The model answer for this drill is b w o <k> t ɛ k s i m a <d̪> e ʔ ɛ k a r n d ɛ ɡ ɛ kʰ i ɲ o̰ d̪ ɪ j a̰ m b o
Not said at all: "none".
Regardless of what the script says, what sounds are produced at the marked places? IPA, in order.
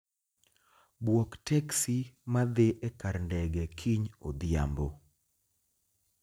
k, d̪

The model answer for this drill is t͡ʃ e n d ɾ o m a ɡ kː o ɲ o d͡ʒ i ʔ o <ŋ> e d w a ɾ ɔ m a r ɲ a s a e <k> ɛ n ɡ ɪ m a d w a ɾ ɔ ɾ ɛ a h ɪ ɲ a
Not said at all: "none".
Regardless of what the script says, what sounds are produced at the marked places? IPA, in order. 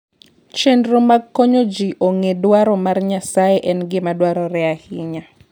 ŋ, ʔ

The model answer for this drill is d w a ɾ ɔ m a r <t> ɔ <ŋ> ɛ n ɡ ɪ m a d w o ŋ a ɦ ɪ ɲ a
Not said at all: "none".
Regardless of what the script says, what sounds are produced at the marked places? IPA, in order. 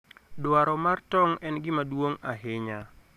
t, ŋ

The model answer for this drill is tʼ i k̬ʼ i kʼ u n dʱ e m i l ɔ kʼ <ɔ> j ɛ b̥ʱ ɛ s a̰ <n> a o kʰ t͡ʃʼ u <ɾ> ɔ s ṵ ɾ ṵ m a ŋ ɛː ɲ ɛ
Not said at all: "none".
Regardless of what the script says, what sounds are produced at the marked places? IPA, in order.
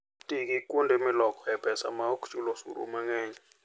ɔ, m, l

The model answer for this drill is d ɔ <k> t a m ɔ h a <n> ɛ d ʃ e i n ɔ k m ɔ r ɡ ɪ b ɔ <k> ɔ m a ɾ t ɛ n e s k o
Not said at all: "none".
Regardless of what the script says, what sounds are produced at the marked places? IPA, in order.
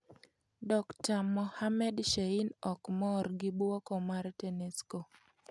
k, m, k

